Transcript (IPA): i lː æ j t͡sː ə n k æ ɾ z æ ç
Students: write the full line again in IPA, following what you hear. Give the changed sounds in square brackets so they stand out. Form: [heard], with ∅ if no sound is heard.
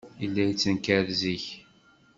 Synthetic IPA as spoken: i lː æ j t͡sː ə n k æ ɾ z [i] ç